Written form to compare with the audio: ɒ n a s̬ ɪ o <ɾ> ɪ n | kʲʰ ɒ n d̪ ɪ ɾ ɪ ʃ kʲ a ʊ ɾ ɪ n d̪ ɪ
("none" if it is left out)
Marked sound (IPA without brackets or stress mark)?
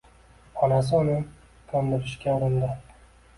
l